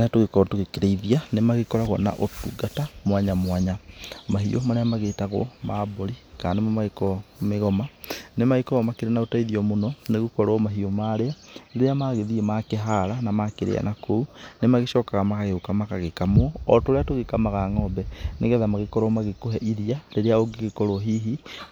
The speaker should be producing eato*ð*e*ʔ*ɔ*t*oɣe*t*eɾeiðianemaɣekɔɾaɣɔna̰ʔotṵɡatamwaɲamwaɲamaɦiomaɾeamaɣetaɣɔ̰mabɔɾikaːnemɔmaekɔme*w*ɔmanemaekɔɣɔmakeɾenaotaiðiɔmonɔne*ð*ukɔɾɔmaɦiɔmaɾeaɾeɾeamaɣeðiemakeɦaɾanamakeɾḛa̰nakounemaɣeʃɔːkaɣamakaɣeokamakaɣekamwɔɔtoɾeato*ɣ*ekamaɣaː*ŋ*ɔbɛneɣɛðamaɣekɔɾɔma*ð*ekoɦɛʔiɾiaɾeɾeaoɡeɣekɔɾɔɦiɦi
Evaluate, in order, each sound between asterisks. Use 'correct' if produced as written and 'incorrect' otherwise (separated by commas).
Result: incorrect, incorrect, correct, incorrect, incorrect, incorrect, correct, correct, incorrect